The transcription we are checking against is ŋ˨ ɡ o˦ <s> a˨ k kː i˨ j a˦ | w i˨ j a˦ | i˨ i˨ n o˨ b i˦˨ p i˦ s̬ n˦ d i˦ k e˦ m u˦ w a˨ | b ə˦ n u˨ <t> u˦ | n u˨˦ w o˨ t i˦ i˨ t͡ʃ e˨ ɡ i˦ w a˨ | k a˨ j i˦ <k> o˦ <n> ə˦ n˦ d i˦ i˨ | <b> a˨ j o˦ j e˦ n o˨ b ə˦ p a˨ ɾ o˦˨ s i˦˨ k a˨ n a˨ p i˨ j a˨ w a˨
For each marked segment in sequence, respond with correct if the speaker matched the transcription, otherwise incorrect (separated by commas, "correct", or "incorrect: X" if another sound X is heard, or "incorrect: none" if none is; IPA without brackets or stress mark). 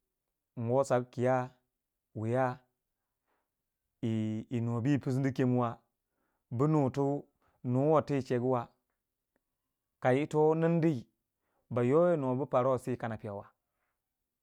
correct, correct, incorrect: t, correct, correct